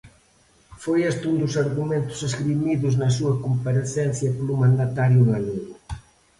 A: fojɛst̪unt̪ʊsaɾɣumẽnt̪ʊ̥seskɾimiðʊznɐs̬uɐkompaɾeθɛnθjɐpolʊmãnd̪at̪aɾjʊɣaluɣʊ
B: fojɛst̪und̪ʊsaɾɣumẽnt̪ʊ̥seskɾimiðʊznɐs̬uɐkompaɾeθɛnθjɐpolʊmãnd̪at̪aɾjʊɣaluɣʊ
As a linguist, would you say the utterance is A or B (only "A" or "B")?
B